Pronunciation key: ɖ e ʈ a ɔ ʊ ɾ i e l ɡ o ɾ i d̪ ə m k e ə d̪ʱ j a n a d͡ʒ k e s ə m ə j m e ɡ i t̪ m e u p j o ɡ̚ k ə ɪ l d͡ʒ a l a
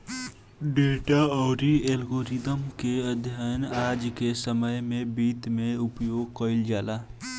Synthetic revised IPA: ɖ e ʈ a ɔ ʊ ɾ i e l ɡ o ɾ i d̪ ə m k e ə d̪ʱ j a n a d͡ʒ k e s ə m ə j m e b i t̪ m e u p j o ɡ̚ k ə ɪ l d͡ʒ a l a